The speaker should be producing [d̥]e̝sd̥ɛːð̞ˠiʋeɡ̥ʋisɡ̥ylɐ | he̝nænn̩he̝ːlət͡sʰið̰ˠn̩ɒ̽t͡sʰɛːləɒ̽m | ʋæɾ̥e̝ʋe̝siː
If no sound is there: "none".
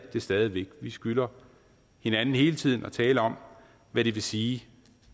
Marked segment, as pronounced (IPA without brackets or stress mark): d̥